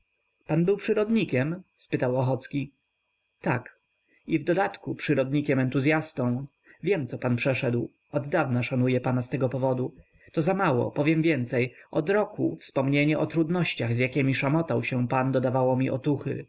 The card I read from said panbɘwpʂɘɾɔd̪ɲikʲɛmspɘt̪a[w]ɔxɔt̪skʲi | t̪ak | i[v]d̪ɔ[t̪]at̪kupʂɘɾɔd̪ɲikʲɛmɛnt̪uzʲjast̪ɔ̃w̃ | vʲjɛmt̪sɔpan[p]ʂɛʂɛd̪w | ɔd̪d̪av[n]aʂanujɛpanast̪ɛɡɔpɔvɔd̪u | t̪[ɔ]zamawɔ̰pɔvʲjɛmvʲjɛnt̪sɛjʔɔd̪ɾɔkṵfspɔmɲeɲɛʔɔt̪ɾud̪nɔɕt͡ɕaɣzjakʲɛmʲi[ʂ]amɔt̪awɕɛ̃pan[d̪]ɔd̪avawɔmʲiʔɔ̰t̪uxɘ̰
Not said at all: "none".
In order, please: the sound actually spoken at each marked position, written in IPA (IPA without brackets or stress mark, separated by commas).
w, v, d̪, p, n, ɔ, ʂ, d̪